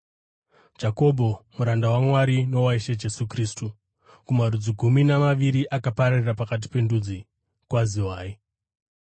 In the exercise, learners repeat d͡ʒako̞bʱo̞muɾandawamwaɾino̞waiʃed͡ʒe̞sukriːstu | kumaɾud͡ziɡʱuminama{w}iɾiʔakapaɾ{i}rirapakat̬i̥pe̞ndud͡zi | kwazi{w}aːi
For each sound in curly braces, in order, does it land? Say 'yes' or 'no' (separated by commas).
no, no, yes